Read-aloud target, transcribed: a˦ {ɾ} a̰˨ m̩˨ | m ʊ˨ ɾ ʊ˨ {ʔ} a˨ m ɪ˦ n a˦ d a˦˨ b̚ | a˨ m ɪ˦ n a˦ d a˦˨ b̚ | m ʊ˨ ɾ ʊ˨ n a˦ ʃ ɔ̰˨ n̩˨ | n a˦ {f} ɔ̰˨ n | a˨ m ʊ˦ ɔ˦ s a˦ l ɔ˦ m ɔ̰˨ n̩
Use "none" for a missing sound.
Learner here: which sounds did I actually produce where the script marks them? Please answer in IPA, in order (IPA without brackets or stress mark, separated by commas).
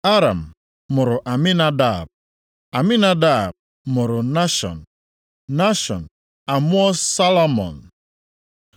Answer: ɾ, ʔ, ʃ